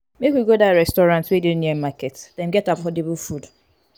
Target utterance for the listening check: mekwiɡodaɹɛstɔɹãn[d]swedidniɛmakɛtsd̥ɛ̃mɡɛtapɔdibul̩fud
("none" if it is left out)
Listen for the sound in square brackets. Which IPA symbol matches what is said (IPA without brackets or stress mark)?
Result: t